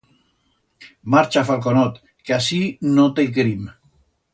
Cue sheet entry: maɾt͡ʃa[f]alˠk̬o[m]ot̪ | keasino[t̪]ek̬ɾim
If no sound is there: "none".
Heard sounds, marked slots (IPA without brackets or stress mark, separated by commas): f, n, t̪